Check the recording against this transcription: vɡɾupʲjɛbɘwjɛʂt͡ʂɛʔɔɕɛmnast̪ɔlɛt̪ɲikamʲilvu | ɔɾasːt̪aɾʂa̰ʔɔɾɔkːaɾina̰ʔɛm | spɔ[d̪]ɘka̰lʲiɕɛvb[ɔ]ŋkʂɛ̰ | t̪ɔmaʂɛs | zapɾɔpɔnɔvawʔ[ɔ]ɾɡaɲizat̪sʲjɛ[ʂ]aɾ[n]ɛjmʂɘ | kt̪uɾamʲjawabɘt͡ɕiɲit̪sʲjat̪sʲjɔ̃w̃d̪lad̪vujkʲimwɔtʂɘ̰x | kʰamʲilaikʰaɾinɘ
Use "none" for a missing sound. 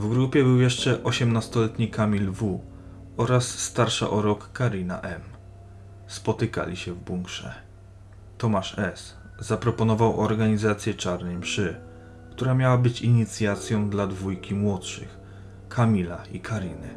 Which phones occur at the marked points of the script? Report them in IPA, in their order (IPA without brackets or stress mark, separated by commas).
t̪, u, ɔ, t͡ʂ, n